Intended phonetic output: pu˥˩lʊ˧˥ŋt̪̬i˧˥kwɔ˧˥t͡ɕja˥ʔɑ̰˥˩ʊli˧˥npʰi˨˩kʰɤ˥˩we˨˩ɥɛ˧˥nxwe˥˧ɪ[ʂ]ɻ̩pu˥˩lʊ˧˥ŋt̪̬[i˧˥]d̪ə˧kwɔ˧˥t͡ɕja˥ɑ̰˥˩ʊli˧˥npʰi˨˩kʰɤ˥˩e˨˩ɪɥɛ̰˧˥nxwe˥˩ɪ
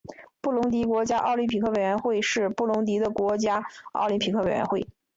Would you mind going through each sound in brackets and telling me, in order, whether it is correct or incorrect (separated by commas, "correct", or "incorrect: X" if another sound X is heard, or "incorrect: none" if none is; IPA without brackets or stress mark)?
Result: correct, correct